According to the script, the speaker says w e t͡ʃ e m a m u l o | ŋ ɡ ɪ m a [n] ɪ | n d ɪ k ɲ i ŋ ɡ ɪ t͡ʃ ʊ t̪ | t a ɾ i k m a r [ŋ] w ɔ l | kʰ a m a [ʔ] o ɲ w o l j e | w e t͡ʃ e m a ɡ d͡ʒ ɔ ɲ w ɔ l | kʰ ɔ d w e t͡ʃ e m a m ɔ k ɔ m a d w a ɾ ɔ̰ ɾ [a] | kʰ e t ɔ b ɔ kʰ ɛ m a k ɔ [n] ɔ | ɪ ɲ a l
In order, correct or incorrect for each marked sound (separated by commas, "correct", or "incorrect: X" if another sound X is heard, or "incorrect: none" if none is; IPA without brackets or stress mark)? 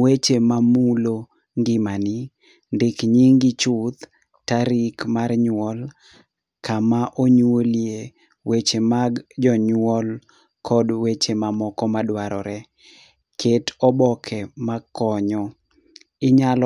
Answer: correct, incorrect: ɲ, correct, incorrect: ɛ, incorrect: ɲ